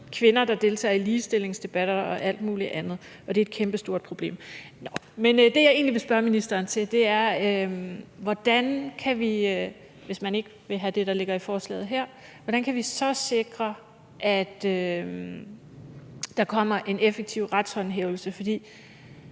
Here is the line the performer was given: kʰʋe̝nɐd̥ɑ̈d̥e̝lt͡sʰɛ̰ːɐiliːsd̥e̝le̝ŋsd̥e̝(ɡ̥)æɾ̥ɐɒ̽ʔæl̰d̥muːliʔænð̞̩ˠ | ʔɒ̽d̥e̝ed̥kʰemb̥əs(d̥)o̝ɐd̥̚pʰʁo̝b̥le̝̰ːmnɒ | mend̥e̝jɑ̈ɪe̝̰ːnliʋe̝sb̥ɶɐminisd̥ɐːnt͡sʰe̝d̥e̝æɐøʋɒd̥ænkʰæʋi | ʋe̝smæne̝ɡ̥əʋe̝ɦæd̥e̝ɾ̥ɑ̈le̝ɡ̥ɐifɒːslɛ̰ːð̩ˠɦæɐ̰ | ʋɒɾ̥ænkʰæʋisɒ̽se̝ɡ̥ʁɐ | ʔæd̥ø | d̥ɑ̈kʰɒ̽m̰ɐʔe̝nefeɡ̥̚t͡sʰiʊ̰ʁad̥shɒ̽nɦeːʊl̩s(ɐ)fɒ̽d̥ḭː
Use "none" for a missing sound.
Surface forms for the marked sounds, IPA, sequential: b̥, d̥, ə

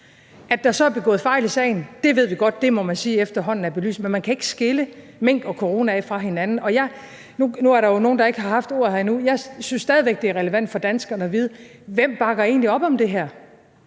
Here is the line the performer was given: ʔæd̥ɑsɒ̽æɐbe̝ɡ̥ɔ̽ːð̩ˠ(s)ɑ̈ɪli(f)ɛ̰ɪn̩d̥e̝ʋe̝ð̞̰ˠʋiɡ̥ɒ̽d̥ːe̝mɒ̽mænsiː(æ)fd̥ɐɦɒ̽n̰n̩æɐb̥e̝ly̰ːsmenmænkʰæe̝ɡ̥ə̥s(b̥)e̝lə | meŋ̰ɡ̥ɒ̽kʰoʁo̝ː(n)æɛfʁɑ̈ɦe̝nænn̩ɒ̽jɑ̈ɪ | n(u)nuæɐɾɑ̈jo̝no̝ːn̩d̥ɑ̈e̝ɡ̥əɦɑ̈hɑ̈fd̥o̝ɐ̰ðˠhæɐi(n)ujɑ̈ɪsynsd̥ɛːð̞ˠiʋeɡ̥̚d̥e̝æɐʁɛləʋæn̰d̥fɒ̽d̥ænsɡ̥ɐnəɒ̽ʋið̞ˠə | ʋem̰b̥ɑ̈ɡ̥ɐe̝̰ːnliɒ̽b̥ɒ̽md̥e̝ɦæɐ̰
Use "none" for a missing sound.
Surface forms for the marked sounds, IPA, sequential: f, s, e, ɡ̥, n, u, n

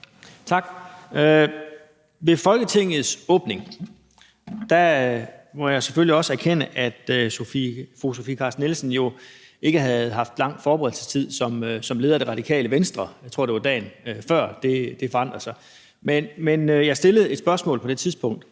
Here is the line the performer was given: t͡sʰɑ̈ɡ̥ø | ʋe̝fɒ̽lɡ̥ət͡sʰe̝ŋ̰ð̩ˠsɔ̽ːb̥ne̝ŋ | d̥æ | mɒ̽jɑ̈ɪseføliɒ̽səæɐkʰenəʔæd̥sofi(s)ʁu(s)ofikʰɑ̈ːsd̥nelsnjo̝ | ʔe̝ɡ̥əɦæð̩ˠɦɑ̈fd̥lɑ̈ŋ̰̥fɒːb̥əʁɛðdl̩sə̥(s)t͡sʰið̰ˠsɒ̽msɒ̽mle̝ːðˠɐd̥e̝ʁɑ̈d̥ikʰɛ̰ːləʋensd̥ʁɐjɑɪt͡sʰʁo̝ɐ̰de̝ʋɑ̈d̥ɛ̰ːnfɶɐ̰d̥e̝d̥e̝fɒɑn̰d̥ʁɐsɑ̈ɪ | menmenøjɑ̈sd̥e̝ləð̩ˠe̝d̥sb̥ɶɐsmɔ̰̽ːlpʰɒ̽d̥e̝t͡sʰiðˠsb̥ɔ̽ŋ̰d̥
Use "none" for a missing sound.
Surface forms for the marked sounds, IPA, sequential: f, s, s

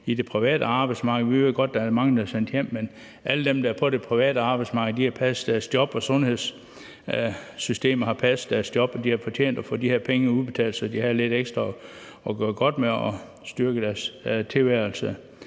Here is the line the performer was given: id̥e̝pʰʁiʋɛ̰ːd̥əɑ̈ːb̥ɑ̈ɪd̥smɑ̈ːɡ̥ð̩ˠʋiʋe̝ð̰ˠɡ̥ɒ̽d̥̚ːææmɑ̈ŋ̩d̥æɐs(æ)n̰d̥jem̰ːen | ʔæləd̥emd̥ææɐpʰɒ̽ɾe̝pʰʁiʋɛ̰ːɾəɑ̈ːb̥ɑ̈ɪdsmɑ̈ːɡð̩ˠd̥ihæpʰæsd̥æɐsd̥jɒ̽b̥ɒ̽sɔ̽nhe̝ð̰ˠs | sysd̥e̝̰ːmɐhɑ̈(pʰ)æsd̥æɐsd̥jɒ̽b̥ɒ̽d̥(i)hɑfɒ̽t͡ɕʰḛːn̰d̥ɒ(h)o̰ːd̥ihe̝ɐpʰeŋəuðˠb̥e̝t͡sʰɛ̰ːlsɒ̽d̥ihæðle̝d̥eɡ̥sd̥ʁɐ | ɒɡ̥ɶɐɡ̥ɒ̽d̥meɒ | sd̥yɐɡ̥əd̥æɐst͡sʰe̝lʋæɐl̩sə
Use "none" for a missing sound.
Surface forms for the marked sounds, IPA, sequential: e, pʰ, i, f

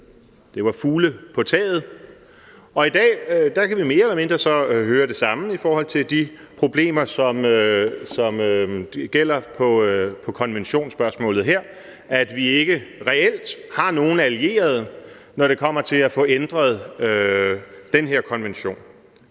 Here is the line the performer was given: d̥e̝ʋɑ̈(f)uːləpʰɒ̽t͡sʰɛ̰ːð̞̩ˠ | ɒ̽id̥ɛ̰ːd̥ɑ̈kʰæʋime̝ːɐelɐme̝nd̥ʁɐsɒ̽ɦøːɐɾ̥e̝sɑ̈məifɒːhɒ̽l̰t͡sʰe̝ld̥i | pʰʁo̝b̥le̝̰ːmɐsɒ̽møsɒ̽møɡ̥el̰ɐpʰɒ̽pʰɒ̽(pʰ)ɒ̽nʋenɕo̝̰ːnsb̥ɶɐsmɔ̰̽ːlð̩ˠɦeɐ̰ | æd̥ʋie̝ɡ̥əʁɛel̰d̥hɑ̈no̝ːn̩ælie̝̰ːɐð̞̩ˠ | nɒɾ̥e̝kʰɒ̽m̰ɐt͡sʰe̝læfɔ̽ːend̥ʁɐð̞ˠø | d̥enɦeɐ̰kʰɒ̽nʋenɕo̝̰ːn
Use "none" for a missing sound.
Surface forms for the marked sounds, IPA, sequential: f, kʰ

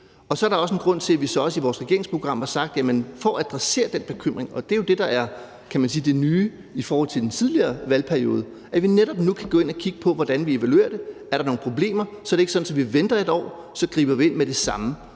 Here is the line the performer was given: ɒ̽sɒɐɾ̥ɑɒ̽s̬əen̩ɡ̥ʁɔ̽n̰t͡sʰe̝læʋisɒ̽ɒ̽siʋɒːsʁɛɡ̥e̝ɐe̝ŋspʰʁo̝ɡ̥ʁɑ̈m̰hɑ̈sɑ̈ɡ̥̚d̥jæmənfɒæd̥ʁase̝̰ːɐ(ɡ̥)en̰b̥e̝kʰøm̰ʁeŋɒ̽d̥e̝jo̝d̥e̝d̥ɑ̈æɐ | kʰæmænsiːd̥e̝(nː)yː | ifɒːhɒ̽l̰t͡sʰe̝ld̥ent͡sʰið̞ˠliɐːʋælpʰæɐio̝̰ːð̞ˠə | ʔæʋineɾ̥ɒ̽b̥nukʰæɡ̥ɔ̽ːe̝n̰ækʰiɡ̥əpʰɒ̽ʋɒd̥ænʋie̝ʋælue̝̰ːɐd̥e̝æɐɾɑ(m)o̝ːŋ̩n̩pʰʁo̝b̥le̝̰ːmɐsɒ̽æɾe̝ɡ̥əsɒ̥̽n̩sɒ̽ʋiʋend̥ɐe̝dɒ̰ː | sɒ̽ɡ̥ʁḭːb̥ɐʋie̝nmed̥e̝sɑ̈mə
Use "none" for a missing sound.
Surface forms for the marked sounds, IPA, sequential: d̥, n, n

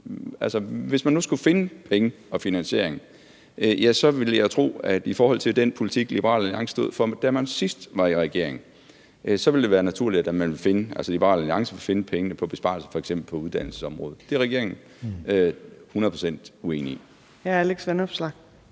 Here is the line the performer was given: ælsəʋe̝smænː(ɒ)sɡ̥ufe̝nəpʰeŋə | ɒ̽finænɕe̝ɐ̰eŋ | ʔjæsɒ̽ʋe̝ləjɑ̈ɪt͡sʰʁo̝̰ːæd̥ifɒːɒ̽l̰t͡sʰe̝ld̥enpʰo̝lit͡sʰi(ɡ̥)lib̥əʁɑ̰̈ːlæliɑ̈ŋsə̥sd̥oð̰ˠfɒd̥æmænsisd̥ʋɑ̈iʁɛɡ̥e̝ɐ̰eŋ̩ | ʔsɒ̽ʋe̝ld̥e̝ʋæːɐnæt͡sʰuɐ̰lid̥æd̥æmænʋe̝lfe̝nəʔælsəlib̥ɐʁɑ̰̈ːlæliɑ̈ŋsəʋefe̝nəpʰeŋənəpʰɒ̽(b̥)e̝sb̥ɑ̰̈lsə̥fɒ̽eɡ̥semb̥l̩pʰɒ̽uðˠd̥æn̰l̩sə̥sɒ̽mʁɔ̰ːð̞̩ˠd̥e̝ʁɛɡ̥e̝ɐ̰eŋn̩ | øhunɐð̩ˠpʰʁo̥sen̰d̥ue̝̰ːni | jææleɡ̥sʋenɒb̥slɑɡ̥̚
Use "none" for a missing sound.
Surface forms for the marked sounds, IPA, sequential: u, ɡ̥, b̥

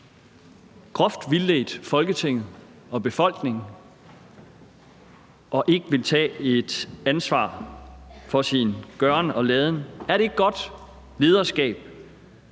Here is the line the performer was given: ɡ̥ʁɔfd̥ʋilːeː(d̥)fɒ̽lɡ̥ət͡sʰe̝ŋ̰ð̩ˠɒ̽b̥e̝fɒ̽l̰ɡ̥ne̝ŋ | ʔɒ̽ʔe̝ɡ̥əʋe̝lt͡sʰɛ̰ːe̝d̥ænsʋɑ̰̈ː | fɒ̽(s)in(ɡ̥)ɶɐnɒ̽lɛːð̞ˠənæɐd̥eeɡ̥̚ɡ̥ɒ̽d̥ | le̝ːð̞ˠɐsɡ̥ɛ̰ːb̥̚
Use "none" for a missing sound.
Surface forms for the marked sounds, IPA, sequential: d̥, s, ɡ̥

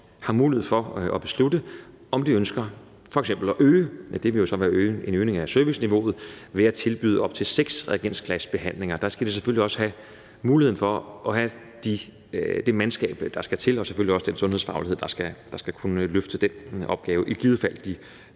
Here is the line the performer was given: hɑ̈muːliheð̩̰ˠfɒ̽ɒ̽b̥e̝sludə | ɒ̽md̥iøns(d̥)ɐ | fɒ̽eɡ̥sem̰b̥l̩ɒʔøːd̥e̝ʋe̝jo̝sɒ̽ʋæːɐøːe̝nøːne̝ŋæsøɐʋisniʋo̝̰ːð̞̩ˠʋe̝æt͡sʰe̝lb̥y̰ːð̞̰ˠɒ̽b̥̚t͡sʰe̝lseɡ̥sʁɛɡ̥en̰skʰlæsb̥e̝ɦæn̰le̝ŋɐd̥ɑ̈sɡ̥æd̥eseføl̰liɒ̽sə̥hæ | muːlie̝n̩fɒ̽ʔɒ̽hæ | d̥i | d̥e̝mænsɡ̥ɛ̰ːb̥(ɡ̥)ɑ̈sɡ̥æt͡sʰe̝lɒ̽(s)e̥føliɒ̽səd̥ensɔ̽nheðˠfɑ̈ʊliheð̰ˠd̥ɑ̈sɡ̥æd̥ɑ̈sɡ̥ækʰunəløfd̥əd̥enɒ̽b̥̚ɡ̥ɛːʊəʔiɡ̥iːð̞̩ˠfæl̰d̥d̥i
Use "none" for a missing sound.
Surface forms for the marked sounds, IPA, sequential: ɡ̥, d̥, s

